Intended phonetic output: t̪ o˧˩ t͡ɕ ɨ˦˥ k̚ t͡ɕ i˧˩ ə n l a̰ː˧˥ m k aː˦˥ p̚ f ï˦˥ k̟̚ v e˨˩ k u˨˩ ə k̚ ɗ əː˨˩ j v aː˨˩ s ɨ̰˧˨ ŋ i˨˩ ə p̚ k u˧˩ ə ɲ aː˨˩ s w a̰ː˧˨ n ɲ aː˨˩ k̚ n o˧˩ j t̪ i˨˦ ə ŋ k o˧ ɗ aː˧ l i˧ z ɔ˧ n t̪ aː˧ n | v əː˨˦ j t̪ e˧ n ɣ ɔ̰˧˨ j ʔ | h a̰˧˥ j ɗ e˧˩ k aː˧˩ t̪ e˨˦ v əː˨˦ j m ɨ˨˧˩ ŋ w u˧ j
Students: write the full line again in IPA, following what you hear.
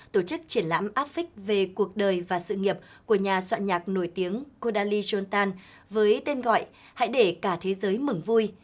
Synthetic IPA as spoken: t̪ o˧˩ t͡ɕ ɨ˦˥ k̚ t͡ɕ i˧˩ ə n l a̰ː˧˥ m ʔ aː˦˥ p̚ f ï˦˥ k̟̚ v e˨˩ k u˨˩ ə k̚ ɗ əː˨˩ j v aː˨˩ s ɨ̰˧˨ ŋ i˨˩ ə p̚ k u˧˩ ə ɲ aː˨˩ s w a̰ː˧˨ n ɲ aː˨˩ k̚ n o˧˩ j t̪ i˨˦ ə ŋ k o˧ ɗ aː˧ l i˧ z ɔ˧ n t̪ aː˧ n | v əː˨˦ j t̪ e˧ n ɣ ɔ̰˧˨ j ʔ | h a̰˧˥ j ɗ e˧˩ k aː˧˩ t̪ʰ e˨˦ z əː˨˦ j m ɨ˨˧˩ ŋ v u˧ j